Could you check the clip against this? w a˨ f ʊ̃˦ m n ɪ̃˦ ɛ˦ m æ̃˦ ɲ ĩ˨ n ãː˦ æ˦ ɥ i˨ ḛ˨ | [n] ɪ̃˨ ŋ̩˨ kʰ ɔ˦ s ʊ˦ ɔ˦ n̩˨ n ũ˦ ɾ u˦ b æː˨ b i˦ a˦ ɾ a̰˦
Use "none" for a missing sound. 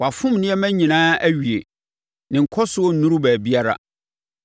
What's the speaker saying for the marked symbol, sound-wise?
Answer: n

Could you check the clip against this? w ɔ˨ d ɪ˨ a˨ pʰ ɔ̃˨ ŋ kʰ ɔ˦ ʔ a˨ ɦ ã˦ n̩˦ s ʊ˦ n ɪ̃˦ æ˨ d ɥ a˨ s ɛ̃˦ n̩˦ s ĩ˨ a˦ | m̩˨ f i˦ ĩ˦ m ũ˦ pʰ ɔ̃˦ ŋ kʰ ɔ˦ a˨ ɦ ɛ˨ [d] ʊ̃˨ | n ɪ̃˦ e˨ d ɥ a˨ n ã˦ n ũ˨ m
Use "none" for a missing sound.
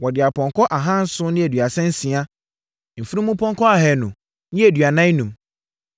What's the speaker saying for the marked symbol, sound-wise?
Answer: n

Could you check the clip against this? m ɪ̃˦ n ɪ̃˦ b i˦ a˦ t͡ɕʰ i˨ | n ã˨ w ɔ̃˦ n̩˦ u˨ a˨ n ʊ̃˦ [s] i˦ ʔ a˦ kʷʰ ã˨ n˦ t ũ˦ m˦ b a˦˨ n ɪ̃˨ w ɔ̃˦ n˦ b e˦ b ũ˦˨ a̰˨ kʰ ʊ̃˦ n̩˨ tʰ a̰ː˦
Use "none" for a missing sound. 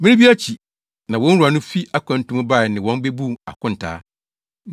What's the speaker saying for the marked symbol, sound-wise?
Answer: f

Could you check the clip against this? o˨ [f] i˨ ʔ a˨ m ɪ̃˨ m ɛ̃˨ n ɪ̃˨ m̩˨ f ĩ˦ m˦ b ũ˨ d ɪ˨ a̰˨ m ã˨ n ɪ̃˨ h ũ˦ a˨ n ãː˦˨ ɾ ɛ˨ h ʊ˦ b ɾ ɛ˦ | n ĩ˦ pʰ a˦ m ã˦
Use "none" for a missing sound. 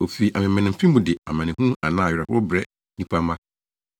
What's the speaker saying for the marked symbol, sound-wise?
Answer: f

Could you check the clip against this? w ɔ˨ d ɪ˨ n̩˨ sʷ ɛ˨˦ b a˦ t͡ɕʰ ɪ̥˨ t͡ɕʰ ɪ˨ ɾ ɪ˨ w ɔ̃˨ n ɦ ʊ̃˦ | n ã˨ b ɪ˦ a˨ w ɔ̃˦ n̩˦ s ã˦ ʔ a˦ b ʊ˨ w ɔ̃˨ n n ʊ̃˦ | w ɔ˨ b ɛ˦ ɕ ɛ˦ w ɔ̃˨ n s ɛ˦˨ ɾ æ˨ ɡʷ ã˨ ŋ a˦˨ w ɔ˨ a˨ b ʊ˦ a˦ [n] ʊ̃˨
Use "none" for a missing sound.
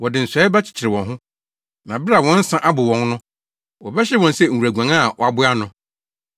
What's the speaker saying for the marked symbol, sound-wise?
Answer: n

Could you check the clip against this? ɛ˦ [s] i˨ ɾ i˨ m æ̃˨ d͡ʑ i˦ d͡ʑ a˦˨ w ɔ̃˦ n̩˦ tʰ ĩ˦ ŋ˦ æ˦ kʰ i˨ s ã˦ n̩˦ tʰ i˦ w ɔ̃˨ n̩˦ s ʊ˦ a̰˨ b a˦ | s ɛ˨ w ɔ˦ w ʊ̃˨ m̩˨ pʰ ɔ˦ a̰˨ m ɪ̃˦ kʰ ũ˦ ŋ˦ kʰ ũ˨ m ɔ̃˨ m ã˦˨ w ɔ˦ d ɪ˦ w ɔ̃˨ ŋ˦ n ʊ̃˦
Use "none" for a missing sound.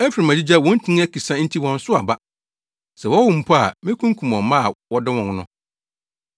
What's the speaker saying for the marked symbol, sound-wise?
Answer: f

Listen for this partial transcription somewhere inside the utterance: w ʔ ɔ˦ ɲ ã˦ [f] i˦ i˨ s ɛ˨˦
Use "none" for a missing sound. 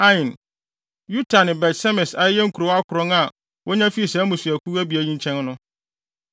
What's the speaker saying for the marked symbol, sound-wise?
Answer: f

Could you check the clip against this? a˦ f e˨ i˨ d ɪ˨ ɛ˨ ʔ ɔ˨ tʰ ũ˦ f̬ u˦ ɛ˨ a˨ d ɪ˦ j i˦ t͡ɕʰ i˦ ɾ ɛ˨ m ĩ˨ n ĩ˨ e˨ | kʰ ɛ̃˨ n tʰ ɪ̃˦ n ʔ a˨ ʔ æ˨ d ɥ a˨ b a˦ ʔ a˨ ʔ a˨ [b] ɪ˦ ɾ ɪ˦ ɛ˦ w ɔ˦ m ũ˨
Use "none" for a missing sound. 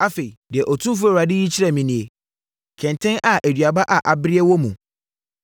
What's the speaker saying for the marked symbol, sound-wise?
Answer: b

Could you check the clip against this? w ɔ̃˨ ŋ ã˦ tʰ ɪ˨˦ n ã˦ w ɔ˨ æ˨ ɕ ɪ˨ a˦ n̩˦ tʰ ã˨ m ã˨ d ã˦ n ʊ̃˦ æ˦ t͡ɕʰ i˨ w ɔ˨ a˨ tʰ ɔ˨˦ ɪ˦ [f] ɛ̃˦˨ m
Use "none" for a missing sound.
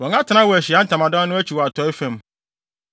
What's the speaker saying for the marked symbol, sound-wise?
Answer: f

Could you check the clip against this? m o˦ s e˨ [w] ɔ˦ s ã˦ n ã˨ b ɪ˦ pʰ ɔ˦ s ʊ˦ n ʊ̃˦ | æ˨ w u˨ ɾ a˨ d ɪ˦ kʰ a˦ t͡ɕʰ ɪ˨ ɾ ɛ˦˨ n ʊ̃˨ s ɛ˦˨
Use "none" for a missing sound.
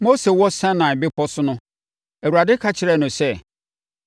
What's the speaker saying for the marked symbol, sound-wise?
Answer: w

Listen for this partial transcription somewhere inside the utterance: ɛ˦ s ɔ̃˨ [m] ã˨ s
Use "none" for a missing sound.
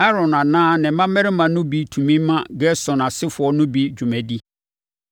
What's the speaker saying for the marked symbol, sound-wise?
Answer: n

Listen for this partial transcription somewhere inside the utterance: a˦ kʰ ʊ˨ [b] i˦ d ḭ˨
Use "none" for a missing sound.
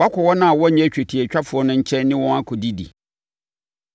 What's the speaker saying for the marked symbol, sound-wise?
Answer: d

